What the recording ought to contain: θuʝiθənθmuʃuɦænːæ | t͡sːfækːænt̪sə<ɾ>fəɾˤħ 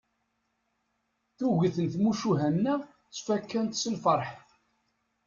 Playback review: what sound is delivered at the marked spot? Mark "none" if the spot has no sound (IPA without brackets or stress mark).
l